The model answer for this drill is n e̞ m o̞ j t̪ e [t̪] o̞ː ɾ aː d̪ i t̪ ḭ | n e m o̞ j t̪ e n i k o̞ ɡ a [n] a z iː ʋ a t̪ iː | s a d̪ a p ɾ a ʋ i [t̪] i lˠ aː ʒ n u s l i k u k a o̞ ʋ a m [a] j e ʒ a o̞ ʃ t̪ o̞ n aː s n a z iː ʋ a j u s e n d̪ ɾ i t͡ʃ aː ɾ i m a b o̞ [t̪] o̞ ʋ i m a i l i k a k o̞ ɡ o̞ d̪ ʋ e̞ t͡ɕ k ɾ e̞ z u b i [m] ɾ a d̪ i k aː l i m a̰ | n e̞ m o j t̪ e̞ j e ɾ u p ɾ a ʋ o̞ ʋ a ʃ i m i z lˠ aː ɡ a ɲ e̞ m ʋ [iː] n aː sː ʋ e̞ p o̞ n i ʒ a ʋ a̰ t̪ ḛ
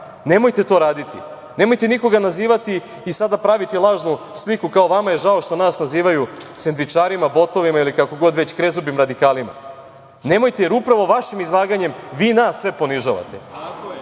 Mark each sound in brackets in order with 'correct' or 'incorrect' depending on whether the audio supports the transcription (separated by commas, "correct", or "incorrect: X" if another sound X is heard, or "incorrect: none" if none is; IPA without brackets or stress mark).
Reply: correct, correct, correct, correct, correct, correct, correct